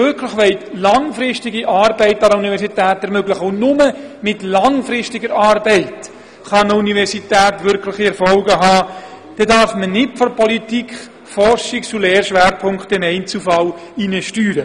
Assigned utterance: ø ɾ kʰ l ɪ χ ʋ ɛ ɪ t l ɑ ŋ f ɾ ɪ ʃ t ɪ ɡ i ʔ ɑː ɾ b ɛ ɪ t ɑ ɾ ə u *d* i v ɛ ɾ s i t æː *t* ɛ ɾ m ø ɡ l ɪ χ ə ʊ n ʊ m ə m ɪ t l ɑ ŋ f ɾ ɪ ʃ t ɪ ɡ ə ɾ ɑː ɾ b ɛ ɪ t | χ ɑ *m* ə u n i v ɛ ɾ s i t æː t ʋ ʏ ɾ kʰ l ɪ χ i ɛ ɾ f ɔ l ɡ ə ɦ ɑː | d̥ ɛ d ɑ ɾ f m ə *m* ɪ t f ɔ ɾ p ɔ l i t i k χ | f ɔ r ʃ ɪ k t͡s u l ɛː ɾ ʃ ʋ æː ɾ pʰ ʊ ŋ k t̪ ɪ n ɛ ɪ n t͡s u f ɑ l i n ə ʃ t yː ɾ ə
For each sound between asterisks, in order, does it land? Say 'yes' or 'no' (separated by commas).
no, yes, no, no